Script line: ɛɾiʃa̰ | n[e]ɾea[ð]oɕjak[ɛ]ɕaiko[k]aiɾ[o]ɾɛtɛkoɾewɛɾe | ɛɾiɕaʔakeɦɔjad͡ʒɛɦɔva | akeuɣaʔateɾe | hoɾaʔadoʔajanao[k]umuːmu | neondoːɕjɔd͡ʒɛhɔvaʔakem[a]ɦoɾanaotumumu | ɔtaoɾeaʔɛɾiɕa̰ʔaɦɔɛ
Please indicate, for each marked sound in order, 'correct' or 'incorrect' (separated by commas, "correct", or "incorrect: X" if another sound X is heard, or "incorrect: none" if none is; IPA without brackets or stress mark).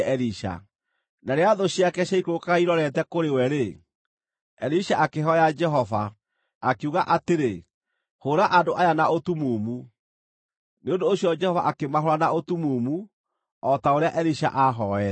incorrect: a, correct, correct, correct, incorrect: ɔ, incorrect: t, correct